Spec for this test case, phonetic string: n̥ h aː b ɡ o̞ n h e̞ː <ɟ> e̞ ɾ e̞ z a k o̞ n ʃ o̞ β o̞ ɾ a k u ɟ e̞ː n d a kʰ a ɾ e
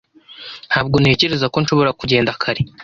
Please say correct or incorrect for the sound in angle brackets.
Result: incorrect